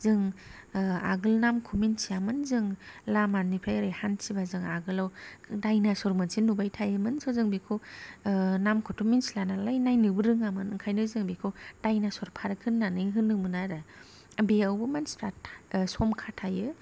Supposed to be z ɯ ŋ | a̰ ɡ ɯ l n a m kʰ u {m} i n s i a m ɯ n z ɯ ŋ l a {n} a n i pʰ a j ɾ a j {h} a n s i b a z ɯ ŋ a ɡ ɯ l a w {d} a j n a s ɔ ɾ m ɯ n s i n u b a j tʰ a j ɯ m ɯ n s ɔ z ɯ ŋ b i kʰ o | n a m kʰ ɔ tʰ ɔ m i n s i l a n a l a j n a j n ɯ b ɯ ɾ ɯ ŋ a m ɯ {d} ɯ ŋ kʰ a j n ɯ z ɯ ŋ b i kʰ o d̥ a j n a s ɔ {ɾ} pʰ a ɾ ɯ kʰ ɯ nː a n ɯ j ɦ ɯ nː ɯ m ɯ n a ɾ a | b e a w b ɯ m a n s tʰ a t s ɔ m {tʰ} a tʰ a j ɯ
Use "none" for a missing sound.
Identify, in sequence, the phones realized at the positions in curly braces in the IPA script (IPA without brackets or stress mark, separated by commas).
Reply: m, m, h, d, n, ɾ, kʰ